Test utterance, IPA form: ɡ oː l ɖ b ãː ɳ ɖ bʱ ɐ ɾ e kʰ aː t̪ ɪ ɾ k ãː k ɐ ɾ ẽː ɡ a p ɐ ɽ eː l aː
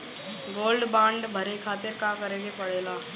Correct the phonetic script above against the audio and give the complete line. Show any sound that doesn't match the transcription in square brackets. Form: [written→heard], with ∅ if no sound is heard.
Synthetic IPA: ɡ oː l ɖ b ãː ɳ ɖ bʱ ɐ ɾ e kʰ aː t̪ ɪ ɾ k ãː k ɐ ɾ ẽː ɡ [a→e] p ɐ ɽ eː l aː